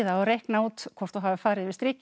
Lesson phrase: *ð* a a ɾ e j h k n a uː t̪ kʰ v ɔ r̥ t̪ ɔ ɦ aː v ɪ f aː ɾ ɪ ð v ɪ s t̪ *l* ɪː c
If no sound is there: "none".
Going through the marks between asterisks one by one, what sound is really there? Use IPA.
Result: ð, ɾ

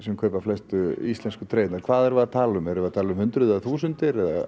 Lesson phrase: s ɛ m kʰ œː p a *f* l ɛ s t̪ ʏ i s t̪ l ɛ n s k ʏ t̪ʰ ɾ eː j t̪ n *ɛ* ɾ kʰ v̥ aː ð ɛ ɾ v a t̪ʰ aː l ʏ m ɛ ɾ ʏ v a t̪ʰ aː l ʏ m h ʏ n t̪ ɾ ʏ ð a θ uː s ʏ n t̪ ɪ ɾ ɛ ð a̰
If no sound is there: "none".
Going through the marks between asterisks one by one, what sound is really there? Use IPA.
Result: f, a

